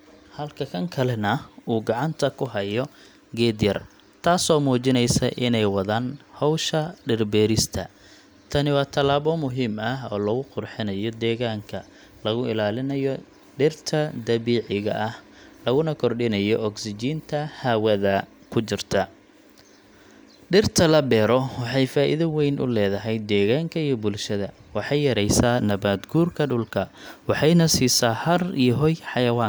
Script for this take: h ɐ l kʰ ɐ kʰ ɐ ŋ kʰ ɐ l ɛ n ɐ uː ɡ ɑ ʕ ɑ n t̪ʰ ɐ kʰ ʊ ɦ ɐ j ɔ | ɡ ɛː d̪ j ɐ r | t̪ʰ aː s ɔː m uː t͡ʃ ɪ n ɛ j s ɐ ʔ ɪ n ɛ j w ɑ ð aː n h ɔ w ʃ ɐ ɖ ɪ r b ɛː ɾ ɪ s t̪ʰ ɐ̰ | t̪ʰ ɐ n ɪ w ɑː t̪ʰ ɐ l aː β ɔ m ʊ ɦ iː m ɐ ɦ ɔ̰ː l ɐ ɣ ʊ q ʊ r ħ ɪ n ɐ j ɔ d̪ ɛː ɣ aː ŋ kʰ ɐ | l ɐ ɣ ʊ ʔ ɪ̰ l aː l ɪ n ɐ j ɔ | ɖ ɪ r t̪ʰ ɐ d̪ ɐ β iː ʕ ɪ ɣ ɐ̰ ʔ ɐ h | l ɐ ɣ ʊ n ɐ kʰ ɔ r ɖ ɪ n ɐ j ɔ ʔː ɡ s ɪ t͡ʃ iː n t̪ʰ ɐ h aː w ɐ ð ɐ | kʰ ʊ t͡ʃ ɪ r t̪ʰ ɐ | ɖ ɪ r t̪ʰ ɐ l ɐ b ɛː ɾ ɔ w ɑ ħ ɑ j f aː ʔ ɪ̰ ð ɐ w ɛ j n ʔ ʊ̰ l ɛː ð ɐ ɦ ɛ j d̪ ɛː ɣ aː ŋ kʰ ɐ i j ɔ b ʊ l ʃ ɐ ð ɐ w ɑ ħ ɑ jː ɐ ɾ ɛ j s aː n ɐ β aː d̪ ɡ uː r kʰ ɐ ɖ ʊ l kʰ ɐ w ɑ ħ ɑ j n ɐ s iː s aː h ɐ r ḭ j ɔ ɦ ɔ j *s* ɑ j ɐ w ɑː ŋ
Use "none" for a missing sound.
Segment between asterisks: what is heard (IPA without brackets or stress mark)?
ħ